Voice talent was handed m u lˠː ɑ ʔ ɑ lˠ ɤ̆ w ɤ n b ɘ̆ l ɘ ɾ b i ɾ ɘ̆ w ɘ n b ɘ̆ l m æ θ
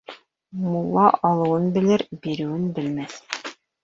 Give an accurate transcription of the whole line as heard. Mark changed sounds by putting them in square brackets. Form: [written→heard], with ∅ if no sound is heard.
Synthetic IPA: m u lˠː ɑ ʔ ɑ lˠ ɤ̆ w ɤ n b ɘ̆ l ɘ ɾ b i ɾ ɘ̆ w ɘ n b ɘ̆ l m æ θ

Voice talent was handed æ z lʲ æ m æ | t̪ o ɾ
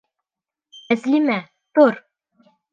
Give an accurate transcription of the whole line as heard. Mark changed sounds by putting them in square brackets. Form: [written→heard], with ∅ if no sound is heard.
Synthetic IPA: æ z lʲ [æ→i] m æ | t̪ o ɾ

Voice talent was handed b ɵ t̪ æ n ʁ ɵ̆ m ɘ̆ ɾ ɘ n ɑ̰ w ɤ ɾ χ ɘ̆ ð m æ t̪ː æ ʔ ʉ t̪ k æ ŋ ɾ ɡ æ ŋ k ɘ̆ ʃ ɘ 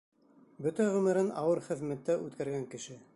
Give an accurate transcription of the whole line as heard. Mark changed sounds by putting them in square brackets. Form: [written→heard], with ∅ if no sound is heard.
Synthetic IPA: b ɵ t̪ æ [n→∅] ʁ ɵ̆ m ɘ̆ ɾ ɘ n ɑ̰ w ɤ ɾ χ ɘ̆ ð m æ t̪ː æ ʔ ʉ t̪ k æ [ŋ→∅] ɾ ɡ æ ŋ k ɘ̆ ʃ ɘ

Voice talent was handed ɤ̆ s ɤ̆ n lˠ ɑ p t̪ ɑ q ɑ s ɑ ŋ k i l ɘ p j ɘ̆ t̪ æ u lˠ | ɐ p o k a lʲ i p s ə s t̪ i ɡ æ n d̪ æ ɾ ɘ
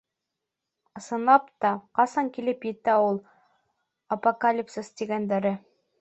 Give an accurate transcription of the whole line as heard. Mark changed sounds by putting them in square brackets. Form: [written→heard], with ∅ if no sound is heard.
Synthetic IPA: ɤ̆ s ɤ̆ n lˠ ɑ p t̪ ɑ q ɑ s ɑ ŋ k i l ɘ p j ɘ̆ t̪ æ u lˠ | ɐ p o k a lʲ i p s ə s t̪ i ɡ æ n d̪ æ ɾ ɘ

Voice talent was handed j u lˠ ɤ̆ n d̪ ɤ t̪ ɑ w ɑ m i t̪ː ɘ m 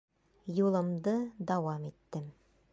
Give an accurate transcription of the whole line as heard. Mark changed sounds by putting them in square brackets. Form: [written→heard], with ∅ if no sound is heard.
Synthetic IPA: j u lˠ ɤ̆ [n→m] d̪ ɤ [t̪→d̪] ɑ w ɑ m i t̪ː ɘ m

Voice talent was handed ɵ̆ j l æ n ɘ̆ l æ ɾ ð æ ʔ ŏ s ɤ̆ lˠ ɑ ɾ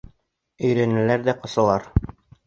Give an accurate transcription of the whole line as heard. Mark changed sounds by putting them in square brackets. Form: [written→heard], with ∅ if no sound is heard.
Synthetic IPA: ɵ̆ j [l→ɾ] æ n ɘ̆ l æ ɾ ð æ [ʔ→q] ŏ s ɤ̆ lˠ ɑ ɾ

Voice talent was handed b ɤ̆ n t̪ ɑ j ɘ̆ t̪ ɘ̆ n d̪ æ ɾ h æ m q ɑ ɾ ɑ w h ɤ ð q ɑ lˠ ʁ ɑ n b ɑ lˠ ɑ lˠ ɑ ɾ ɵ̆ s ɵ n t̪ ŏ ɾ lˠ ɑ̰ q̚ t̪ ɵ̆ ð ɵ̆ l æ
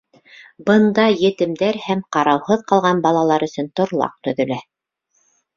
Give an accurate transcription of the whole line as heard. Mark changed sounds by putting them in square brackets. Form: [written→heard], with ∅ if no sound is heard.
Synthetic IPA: b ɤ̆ n [t̪→d̪] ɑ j ɘ̆ t̪ ɘ̆ [n→m] d̪ æ ɾ h æ m q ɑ ɾ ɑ w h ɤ ð q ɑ lˠ ʁ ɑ n b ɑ lˠ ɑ lˠ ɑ ɾ ɵ̆ s ɵ n t̪ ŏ ɾ lˠ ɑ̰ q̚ t̪ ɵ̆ ð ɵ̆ l æ

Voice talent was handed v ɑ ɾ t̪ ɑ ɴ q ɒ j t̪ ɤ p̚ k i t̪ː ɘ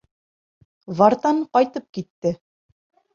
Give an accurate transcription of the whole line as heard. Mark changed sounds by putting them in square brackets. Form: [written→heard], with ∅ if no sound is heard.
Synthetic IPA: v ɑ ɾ t̪ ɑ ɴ q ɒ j t̪ ɤ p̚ k i t̪ː ɘ

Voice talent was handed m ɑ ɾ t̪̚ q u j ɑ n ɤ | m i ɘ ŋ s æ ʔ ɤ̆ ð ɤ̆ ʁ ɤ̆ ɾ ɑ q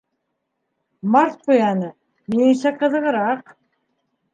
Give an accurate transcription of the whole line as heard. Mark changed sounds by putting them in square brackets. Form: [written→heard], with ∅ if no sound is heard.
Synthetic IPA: m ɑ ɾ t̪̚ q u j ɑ n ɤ | m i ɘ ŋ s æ [ʔ→q] ɤ̆ ð ɤ̆ ʁ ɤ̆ ɾ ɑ q

